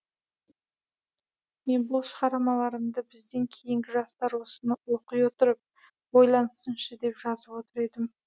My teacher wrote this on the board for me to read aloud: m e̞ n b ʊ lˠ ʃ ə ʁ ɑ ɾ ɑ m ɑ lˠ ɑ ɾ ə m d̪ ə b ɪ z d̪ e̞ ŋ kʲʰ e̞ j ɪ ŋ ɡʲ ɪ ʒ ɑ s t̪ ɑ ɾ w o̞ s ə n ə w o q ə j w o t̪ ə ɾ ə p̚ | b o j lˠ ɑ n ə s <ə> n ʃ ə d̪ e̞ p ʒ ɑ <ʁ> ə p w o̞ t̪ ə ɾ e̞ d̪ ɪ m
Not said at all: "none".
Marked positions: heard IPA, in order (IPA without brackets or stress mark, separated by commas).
ə, z